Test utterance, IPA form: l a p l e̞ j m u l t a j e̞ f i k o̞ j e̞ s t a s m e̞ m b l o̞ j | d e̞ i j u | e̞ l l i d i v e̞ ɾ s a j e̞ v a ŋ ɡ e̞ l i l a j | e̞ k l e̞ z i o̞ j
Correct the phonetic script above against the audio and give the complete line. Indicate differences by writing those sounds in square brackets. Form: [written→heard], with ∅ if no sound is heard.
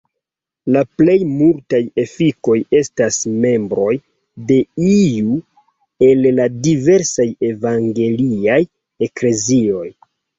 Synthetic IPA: l a p l e̞ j m u l t a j e̞ f i k o̞ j e̞ s t a s m e̞ m b [l→ɾ] o̞ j | d e̞ i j u | e̞ l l [i→a] d i v e̞ ɾ s a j e̞ v a ŋ ɡ e̞ l i [l→∅] a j | e̞ k l e̞ z i o̞ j